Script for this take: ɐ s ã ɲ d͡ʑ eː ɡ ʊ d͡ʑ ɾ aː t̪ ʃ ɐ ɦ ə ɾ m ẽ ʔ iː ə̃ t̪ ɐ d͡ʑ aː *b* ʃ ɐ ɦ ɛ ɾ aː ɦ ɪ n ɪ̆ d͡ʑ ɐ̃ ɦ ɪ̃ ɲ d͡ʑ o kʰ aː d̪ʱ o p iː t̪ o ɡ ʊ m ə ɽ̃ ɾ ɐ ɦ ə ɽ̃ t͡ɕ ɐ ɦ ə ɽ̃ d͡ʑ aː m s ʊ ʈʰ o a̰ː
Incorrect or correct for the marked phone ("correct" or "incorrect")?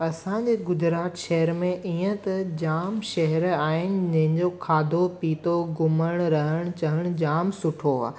incorrect